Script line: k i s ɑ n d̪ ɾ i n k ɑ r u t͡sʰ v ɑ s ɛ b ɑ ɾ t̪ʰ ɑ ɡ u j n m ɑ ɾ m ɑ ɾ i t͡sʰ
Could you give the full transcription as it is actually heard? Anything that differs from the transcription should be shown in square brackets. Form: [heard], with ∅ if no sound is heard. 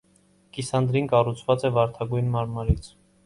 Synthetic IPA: k i s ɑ n d̪ ɾ i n k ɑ r u t͡sʰ v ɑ [t͡s] ɛ [v] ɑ ɾ t̪ʰ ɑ ɡ u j n m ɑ ɾ m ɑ ɾ i t͡sʰ